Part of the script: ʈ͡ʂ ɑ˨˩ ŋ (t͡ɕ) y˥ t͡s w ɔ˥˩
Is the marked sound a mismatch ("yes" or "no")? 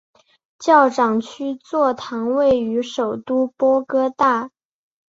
yes